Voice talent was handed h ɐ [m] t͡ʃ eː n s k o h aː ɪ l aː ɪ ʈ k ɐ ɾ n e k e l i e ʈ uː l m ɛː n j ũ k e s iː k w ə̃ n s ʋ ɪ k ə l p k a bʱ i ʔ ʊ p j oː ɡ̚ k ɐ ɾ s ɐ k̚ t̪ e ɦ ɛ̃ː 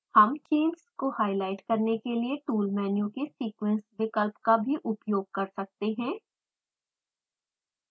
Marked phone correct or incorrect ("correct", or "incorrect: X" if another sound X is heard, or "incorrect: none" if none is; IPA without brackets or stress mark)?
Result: correct